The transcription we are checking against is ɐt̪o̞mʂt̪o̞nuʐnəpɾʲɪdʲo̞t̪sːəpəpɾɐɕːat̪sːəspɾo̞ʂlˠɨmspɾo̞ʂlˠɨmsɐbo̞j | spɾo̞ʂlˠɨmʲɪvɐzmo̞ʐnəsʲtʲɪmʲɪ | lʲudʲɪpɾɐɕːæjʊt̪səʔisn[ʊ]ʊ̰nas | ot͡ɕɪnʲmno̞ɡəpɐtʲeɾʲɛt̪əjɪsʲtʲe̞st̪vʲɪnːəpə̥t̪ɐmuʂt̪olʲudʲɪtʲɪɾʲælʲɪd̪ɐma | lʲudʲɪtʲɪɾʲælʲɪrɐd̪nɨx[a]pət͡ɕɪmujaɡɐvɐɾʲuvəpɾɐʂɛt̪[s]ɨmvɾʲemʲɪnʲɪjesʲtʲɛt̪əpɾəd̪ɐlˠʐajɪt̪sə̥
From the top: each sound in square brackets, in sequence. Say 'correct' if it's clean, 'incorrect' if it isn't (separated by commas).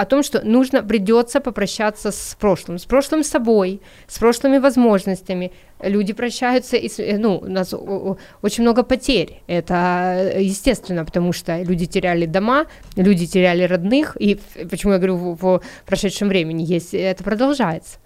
incorrect, incorrect, incorrect